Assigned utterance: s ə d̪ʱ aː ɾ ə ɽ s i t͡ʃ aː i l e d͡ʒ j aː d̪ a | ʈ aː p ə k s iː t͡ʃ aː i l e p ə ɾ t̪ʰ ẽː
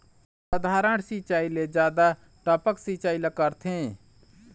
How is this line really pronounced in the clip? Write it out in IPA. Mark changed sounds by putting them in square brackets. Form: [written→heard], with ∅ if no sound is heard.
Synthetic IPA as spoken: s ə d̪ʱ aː ɾ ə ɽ s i t͡ʃ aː i l e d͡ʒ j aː d̪ a | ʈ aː p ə k s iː t͡ʃ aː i l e [p→k] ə ɾ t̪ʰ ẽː